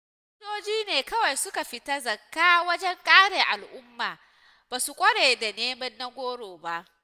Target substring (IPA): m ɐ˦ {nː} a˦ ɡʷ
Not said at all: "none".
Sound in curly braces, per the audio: nː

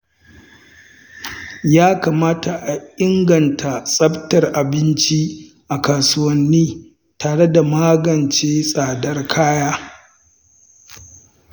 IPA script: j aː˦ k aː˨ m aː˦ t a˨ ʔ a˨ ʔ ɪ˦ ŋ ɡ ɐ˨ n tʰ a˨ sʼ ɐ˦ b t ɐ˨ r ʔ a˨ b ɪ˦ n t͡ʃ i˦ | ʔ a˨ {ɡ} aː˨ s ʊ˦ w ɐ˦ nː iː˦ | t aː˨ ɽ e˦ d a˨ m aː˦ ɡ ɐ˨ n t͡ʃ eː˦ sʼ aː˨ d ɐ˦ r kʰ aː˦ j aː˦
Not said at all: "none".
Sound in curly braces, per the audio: k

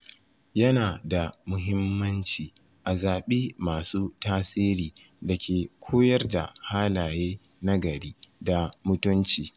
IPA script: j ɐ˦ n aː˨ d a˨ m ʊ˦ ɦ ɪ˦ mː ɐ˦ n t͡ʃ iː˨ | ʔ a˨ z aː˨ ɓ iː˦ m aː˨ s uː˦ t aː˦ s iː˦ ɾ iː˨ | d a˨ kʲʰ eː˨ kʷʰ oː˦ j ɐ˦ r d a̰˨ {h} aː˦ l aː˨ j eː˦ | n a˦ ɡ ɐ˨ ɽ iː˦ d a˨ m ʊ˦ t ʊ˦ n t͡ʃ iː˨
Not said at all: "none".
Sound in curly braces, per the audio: h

